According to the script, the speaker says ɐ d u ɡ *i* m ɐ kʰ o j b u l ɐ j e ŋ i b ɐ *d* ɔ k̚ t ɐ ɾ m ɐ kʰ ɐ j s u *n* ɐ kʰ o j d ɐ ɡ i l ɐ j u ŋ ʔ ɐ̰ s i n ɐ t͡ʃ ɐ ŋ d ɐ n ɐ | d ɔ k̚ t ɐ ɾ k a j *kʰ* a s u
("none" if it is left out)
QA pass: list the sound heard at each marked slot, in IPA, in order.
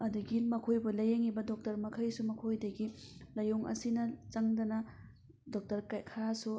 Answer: i, d, m, kʰ

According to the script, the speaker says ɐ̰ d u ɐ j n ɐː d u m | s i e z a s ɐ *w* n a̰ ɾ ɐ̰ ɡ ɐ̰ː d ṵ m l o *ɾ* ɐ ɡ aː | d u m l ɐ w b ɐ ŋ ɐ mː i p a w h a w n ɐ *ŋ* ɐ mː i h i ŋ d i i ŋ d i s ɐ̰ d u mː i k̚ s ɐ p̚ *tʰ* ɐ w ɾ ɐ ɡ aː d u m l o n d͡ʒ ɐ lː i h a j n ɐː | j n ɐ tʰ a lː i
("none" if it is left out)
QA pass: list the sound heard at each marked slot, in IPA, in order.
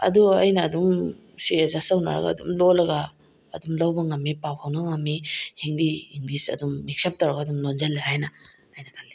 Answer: w, l, ŋ, t

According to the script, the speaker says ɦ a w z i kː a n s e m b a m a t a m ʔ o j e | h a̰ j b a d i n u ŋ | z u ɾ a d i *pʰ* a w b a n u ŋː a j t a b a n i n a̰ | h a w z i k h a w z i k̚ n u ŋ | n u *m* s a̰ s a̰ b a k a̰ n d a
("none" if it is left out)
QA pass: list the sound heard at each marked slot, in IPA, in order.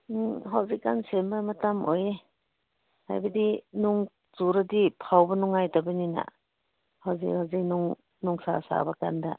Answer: pʰ, ŋ

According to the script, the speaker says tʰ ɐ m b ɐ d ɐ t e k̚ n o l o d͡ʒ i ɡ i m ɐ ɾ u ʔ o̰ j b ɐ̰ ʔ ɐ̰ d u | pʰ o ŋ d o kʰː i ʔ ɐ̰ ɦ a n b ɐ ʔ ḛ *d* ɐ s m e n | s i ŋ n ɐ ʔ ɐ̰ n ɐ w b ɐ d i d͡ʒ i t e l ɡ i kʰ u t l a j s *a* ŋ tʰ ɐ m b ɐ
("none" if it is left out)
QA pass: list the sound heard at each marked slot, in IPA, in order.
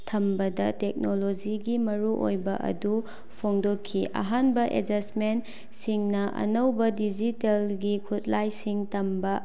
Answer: d͡ʒ, i

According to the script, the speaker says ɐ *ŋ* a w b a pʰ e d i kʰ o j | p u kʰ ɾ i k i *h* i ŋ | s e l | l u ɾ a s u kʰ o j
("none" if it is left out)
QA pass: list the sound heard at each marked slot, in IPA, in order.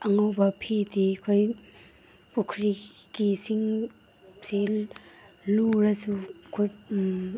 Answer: ŋ, s

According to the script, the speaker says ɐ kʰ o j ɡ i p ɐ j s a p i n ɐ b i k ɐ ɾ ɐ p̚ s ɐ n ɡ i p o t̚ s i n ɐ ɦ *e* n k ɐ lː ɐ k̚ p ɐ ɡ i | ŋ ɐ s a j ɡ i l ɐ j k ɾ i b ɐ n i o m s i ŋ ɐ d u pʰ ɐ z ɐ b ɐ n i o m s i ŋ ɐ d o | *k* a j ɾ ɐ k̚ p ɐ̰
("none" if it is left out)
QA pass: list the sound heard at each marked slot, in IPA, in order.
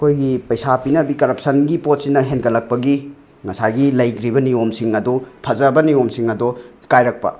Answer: e, k

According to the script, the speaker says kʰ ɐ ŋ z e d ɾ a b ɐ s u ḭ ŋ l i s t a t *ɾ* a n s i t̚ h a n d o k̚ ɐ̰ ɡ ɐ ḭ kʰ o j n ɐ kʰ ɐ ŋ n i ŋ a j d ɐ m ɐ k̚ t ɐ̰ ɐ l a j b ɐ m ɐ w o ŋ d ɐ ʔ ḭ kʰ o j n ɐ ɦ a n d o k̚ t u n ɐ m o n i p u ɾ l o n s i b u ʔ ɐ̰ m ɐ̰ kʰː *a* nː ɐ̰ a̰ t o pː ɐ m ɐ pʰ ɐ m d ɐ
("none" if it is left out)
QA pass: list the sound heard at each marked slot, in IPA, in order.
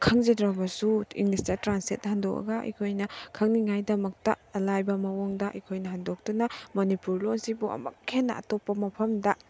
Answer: ɾ, e

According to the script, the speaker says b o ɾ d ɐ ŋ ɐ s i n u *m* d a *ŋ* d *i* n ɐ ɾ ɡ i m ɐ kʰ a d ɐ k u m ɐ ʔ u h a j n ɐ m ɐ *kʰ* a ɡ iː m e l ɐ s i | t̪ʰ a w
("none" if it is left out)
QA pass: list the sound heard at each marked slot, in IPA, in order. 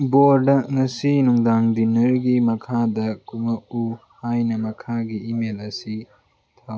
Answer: ŋ, ŋ, i, kʰ

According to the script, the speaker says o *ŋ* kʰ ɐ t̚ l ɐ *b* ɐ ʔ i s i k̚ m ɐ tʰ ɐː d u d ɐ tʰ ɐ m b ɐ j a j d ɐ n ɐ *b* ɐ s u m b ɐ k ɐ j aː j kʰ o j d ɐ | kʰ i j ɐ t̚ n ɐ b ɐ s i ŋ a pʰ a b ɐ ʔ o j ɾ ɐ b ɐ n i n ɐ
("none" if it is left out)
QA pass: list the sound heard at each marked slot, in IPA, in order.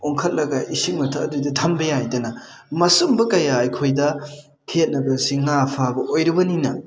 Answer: ŋ, ɡ, m

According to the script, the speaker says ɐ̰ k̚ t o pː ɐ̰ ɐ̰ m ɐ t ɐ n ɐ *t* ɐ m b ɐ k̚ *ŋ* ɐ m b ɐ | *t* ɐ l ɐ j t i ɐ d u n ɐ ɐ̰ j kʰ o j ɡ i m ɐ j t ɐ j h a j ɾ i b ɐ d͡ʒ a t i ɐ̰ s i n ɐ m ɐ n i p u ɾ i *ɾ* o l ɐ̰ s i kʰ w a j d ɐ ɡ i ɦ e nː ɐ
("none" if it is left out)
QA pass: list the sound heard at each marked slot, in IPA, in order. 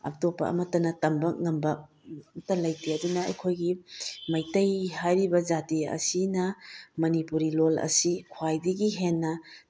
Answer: t, ŋ, t, l

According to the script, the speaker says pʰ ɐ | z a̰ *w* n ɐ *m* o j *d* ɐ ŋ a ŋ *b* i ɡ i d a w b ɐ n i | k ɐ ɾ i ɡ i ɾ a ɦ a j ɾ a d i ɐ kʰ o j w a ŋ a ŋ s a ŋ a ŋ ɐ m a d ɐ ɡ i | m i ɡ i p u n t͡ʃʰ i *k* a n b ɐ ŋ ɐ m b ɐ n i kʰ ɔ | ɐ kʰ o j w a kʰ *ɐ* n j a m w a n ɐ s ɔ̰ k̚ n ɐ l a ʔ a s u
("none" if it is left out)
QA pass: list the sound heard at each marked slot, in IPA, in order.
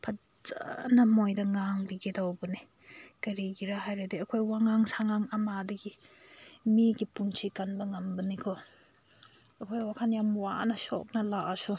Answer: none, m, d, b, k, a

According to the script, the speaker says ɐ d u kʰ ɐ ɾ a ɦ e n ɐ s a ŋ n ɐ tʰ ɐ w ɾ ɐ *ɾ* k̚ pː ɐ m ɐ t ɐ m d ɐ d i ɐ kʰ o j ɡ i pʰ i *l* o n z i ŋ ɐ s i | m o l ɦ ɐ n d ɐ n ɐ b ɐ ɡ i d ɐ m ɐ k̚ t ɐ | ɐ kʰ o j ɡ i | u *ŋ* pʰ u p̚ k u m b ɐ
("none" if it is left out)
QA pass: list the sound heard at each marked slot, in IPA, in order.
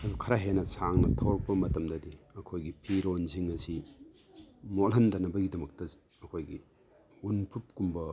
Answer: none, ɾ, n

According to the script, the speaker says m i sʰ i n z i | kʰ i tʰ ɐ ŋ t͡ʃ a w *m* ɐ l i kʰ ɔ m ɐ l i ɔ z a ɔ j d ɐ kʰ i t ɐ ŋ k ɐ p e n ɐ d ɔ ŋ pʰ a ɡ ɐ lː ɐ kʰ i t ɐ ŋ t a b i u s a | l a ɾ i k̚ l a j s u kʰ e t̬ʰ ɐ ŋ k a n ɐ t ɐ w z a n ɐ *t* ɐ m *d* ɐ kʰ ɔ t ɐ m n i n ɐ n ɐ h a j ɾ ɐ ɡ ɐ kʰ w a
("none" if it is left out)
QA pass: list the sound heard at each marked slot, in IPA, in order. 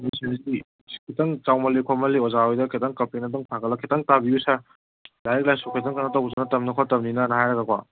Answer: m, t, n

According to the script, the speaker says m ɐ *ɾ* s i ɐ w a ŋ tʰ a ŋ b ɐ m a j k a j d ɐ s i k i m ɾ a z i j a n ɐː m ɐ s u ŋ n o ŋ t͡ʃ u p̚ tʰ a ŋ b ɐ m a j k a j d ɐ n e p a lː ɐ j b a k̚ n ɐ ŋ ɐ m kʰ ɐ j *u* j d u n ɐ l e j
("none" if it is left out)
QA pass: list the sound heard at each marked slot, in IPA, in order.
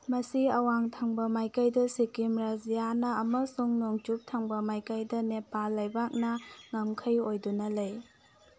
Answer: none, o

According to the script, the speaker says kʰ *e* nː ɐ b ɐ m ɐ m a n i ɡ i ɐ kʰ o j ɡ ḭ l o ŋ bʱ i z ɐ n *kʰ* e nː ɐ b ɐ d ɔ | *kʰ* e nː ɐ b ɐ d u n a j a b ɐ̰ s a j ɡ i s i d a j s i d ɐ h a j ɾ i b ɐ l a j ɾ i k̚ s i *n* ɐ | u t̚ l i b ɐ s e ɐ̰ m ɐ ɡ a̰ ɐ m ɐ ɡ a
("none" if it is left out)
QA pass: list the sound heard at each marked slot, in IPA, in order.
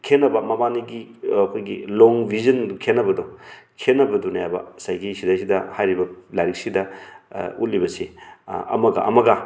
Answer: e, kʰ, kʰ, d

